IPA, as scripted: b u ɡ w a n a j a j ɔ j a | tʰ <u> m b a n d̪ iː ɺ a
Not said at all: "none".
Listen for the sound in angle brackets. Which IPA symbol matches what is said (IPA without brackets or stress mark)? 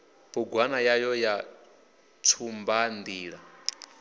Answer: u